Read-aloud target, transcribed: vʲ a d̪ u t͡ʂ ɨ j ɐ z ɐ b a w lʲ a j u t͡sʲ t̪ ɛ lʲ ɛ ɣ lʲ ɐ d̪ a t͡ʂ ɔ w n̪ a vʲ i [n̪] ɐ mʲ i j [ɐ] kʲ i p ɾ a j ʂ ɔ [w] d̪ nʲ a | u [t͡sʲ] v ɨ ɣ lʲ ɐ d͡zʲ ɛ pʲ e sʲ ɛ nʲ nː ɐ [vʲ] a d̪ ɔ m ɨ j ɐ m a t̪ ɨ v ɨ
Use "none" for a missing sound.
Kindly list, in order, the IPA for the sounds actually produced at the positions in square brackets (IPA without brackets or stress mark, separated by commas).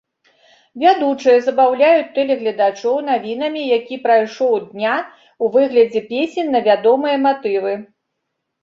n̪, a, w, none, vʲ